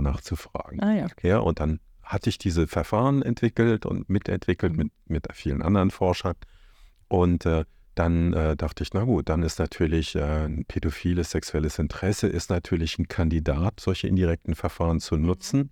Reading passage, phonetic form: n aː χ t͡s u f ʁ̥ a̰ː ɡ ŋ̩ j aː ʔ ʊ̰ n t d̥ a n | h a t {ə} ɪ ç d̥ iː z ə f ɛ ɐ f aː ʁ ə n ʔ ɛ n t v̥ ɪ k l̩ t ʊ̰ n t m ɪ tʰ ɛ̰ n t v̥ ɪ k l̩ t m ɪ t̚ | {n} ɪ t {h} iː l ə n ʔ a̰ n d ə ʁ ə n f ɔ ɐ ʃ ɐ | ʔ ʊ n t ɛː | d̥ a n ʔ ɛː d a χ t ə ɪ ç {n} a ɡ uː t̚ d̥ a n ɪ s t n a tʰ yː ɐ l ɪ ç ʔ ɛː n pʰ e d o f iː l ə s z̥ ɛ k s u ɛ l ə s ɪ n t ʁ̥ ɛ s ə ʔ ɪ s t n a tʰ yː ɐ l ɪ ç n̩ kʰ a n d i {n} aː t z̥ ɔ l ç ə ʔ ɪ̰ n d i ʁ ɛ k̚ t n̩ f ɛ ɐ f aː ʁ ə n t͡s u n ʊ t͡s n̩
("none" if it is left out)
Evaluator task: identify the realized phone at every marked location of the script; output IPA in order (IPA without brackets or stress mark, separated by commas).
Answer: ə, m, f, n, d